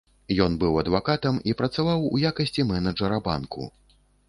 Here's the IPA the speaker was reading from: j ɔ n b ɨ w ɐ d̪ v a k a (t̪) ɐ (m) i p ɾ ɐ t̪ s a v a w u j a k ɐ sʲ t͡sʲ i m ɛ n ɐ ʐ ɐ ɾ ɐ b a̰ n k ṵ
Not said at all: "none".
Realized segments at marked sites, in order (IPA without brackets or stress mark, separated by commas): t̪, m